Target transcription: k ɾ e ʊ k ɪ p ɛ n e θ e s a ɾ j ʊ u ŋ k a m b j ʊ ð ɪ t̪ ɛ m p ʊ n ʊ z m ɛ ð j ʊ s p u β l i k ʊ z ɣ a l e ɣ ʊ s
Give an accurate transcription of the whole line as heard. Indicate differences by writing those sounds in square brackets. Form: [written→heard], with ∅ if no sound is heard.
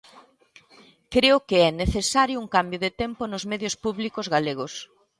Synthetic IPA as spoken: k ɾ e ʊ k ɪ [p→∅] ɛ n e θ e s a ɾ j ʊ u ŋ k a m b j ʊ ð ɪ t̪ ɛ m p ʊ n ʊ z m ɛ ð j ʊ s p u β l i k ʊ z ɣ a l e ɣ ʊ s